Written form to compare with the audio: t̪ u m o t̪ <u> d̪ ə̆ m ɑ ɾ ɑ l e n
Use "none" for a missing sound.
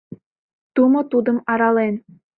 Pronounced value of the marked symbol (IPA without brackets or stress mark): u